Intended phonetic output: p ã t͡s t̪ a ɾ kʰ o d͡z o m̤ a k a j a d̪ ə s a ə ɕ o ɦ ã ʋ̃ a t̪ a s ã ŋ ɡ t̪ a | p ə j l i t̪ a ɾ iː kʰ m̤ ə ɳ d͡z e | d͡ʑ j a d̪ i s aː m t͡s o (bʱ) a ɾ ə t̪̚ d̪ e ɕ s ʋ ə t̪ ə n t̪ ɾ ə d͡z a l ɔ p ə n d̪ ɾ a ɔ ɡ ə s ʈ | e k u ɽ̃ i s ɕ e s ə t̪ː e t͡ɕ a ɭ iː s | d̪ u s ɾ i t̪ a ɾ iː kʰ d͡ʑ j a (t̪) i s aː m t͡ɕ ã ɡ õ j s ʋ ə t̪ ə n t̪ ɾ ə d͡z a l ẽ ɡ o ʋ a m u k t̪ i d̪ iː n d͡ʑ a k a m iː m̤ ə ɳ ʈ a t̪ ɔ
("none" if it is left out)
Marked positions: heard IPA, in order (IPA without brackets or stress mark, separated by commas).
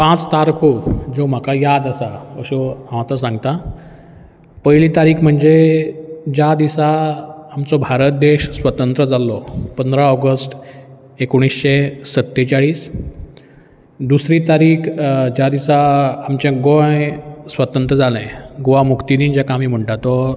bʱ, d̪